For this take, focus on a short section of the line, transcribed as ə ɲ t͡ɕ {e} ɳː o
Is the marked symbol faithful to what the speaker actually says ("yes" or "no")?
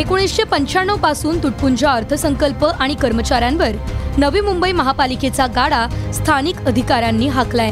no